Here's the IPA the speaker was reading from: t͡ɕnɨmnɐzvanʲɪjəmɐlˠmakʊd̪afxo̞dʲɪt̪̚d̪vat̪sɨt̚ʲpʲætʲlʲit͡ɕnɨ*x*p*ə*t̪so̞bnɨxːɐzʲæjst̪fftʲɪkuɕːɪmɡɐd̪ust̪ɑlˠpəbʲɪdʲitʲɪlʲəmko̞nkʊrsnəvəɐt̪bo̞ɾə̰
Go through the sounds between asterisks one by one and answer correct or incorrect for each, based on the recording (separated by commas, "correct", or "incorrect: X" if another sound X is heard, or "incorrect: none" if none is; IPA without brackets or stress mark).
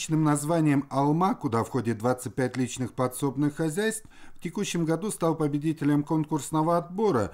correct, incorrect: ɐ